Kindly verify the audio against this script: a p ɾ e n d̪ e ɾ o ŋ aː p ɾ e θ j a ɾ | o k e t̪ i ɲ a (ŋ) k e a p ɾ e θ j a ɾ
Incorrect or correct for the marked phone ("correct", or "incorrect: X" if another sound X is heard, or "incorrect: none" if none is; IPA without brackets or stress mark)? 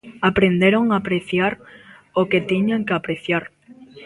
correct